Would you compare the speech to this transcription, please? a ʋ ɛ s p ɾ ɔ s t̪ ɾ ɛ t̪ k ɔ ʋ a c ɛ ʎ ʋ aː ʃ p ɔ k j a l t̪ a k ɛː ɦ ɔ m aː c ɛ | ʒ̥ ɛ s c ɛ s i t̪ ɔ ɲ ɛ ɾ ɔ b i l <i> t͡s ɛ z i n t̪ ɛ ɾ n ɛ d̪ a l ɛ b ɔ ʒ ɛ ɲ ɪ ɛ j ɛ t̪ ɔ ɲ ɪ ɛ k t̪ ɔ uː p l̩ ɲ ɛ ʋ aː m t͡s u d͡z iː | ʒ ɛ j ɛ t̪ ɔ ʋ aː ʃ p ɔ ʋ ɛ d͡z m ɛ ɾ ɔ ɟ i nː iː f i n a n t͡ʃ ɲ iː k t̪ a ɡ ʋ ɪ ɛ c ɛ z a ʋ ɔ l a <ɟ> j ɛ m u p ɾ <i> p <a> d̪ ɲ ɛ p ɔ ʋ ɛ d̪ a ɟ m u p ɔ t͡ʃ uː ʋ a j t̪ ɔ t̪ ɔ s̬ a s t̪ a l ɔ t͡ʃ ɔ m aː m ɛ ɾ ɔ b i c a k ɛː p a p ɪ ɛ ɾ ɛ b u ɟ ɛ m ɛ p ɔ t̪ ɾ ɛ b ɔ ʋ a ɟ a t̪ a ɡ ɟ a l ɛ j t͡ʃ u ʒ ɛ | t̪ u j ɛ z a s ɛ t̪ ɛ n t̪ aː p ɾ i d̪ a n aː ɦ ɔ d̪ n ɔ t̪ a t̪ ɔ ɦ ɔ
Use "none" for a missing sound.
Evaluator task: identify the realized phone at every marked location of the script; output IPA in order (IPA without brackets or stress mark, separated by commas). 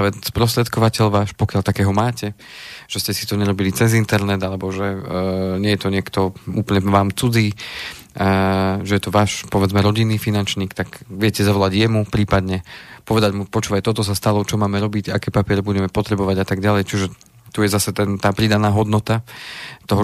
i, ɟ, iː, a